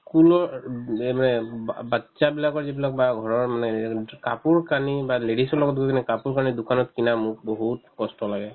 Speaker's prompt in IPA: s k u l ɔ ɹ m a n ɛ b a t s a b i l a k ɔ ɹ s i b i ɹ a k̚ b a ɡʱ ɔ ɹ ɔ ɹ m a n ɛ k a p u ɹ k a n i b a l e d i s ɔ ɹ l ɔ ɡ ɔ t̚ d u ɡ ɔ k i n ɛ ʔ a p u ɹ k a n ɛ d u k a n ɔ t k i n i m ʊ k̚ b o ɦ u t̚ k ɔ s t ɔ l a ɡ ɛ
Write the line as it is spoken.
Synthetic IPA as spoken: s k u l ɔ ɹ m a n ɛ b a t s a b i l a k ɔ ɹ z i b i l a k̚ b a ɡʱ ɔ ɹ ɔ ɹ m a n ɛ k a p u ɹ k a n i b a l e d i s ɔ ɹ l ɔ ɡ ɔ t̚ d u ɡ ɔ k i n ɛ k a p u ɹ k a n i d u k a n ɔ t k i n a m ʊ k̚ b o ɦ u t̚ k ɔ s t ɔ l a ɡ ɛ